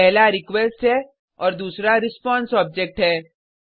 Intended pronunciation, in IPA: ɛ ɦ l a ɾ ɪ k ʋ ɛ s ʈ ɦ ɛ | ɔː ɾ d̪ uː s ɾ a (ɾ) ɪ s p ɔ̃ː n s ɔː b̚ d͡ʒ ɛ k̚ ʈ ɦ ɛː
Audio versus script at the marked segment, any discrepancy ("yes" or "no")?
no